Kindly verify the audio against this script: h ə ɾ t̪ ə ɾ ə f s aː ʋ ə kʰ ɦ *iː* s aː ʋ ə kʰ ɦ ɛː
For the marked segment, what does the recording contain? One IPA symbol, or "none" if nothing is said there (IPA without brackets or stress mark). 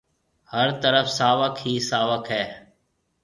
iː